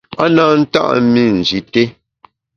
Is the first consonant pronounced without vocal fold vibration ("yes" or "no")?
no